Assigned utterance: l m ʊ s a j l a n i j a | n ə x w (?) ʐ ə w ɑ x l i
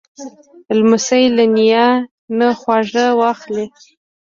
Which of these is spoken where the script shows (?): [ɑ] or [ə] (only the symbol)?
ɑ